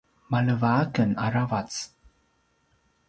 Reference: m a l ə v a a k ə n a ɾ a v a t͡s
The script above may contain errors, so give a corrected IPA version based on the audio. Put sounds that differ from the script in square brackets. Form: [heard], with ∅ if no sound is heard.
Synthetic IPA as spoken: m a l ə v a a k ə n a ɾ a v a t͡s